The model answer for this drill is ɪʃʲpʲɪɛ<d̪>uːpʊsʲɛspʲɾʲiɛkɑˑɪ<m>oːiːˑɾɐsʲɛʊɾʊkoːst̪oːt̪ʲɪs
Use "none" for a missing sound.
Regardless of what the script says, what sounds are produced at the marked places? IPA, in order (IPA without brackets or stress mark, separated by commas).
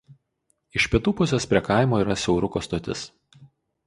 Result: t̪, m